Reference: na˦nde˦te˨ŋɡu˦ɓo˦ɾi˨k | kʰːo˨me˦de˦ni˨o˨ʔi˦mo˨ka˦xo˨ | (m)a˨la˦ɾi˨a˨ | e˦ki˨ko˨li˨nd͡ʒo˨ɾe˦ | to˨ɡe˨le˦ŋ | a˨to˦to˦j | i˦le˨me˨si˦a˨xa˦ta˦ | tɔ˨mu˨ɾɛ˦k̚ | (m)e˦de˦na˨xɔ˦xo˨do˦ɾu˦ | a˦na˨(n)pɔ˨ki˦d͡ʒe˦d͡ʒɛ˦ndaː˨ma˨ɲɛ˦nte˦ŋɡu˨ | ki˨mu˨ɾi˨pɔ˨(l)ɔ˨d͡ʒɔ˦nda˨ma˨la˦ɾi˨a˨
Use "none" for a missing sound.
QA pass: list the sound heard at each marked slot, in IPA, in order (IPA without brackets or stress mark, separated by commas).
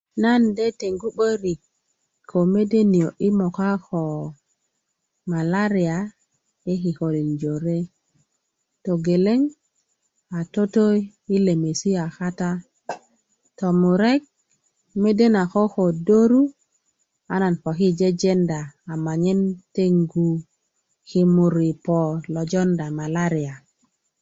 m, m, n, l